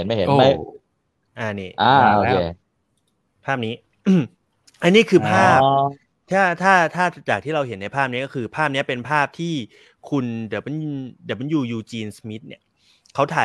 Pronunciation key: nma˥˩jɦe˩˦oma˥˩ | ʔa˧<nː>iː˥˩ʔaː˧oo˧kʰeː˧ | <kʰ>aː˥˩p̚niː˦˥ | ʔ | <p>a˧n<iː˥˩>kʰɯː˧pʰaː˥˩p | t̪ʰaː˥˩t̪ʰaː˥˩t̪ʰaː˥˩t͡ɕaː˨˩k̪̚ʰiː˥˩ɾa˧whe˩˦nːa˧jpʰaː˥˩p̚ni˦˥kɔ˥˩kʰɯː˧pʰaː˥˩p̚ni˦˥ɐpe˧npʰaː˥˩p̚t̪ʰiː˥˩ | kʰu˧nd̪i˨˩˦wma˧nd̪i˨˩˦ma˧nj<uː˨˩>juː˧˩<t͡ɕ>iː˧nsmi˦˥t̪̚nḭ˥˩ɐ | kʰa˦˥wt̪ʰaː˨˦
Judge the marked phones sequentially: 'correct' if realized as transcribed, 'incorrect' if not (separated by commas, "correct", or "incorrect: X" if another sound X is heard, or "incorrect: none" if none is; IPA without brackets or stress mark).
incorrect: n, incorrect: pʰ, incorrect: ʔ, correct, correct, correct